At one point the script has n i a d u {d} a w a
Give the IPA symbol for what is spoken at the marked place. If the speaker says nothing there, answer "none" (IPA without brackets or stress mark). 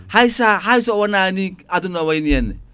n